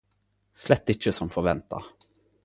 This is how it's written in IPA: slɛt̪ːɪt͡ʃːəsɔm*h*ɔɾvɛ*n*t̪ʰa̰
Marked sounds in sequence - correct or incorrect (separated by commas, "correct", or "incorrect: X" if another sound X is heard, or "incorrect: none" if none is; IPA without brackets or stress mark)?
incorrect: f, correct